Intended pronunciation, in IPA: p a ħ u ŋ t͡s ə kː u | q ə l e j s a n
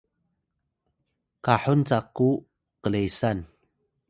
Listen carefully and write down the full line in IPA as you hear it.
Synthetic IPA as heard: k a ħ u n t͡s a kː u | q ə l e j s a n